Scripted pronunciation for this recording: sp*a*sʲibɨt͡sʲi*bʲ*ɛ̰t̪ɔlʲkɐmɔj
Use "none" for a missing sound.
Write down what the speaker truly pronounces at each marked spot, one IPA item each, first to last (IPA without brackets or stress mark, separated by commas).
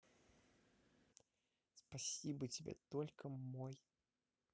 a, bʲ